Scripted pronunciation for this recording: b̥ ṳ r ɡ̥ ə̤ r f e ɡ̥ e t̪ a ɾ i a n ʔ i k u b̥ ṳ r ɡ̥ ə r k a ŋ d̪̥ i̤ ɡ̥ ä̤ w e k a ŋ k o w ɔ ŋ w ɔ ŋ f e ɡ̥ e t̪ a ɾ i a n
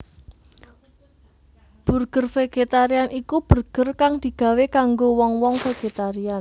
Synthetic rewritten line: b̥ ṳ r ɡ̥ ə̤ r f e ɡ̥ e t̪ a ɾ i a n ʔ i k u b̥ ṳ r ɡ̥ ə r k a ŋ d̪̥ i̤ ɡ̥ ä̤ w e k a ŋ ɡ o w ɔ ŋ w ɔ ŋ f e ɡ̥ e t̪ a ɾ i a n